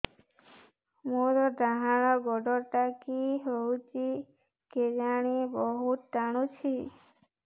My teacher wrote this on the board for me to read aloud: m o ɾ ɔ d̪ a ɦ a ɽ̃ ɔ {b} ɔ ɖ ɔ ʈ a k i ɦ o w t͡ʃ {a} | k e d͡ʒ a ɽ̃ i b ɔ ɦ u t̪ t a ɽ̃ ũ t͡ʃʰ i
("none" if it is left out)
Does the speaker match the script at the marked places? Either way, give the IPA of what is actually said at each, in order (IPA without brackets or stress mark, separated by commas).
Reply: ɡ, i